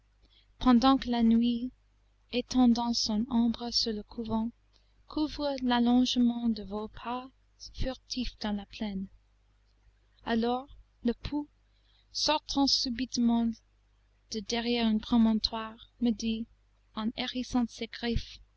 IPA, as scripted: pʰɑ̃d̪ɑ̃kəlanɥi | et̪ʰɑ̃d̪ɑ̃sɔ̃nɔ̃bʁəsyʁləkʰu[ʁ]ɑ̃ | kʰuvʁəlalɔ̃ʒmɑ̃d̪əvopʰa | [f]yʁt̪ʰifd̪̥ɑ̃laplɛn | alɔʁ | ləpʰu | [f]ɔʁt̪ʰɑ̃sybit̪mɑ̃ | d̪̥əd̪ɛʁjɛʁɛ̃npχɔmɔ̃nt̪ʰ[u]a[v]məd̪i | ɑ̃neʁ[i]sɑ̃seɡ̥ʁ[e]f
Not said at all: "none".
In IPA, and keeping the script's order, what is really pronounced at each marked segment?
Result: v, f, s, w, ʁ, i, i

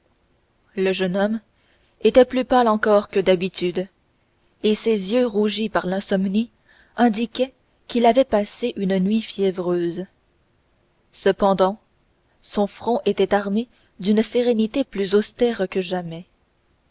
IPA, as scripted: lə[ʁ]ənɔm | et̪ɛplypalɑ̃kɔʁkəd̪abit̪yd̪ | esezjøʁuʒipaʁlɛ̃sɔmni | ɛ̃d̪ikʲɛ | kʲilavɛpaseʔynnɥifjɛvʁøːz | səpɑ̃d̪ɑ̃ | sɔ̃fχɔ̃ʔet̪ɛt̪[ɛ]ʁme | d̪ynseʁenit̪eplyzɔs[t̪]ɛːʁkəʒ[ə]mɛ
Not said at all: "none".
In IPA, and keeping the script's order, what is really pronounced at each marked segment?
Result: ʒ, a, t̪, a

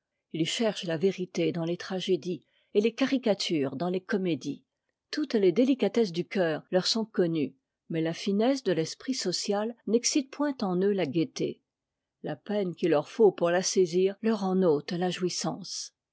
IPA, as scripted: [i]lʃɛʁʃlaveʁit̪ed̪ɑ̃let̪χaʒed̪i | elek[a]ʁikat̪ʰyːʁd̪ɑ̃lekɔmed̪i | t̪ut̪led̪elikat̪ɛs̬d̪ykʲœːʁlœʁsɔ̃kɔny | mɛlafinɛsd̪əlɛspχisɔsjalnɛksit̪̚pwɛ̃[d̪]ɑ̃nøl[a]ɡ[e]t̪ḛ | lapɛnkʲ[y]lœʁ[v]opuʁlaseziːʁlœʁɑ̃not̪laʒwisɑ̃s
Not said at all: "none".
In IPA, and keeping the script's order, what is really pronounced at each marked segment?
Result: i, a, t̪, a, e, i, f

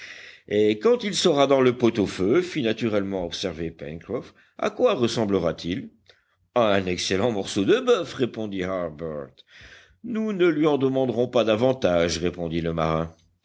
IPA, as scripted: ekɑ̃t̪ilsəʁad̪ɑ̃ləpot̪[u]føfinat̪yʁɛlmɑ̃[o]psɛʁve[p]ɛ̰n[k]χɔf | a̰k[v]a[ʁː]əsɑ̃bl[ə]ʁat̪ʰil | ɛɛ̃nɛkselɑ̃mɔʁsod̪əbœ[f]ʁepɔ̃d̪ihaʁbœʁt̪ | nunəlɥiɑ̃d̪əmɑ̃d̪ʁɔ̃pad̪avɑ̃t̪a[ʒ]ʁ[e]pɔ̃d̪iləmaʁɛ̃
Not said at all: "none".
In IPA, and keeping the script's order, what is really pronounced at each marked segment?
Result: o, ɔ, p, k, w, ʁ, ə, f, ʒ, e

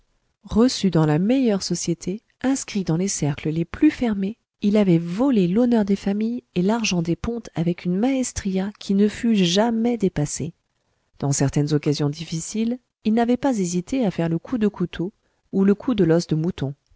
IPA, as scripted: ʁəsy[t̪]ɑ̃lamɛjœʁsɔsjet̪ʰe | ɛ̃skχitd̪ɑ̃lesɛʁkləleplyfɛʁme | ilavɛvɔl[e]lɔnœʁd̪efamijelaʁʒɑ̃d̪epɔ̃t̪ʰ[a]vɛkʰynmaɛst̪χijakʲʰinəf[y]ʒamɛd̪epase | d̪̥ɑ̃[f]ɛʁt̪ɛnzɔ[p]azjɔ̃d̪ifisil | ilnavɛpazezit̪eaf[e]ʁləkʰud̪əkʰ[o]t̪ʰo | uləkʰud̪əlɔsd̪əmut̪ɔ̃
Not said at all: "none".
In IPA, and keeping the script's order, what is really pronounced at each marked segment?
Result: d̪, e, a, y, s, k, ɛ, u

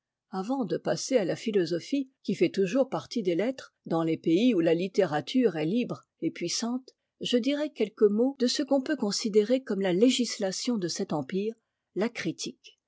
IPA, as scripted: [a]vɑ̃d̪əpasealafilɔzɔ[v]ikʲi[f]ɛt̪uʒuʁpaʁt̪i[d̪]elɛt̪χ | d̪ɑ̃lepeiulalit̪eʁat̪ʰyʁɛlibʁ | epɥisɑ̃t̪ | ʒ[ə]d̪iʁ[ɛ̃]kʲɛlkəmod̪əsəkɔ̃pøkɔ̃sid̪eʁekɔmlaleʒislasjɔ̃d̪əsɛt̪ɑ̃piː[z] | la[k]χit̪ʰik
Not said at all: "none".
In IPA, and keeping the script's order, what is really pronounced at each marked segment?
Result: a, f, f, d̪, ə, ɛ, ʁ, k

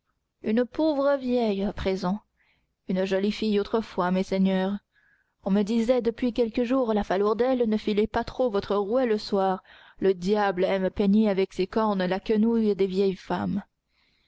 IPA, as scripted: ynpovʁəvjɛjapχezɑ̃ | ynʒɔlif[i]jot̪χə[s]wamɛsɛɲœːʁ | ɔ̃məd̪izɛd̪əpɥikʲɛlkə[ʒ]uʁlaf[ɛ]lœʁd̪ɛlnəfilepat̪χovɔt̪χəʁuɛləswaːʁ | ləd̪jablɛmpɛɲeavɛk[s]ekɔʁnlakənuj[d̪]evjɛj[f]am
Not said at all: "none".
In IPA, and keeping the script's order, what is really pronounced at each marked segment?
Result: i, f, ʒ, a, s, d̪, f

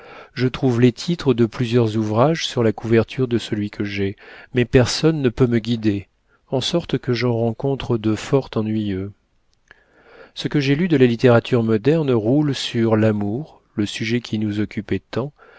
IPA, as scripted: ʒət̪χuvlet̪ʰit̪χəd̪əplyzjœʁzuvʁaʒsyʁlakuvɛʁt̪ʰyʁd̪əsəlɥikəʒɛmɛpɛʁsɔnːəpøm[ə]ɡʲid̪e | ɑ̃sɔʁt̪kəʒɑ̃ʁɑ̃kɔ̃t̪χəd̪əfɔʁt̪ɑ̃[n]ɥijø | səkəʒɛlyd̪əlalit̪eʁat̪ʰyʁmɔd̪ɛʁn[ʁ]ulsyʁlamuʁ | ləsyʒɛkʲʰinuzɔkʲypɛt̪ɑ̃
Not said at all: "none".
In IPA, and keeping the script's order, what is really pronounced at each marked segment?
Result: ə, n, ʁ

